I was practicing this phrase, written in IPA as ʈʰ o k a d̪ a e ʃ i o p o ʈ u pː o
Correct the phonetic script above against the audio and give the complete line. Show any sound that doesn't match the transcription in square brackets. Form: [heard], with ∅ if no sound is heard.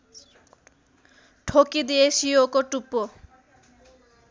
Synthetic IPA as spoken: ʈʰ o k [i] d̪ [i] e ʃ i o [k] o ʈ u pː o